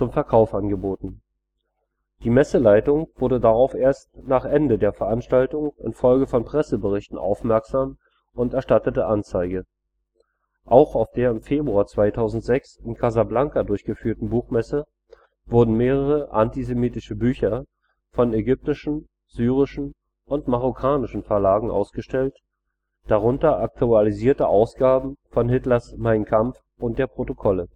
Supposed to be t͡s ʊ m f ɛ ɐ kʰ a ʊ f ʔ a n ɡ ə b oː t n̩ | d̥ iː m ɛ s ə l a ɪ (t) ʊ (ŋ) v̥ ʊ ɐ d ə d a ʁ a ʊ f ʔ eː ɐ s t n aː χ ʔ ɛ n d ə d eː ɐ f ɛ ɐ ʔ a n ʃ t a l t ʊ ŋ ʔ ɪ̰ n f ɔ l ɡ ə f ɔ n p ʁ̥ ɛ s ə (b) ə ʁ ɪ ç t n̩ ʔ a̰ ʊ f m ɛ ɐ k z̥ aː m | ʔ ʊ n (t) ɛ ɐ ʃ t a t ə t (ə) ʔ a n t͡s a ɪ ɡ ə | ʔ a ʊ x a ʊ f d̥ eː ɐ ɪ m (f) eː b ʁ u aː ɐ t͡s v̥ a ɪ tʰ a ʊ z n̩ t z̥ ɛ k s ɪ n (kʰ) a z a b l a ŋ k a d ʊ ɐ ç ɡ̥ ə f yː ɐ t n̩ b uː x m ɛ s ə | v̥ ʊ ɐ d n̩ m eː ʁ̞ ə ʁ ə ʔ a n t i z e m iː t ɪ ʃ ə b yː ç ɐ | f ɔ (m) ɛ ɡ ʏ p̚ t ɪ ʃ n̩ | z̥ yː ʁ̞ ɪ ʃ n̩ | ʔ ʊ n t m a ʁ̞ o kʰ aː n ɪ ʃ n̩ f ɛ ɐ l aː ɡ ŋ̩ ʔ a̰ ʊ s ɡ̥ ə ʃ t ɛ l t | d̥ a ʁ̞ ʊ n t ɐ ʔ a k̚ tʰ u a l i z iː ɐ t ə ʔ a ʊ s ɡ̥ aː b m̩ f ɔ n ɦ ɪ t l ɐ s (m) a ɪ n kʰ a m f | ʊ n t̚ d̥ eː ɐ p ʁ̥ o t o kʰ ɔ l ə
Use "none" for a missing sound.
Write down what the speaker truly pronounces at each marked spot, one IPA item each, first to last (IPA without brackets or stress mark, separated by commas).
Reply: t, ŋ, b, t, ə, f, kʰ, n, m